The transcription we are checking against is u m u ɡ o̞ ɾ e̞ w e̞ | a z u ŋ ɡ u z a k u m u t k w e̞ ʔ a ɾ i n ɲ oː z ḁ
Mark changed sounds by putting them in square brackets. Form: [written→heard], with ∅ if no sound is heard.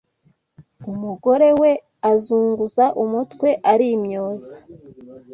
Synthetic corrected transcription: u m u ɡ o̞ ɾ e̞ w e̞ | a z [u→uː] ŋ ɡ u z a [k→ʔ] u m u t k w e̞ ʔ a ɾ i [n→m] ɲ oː z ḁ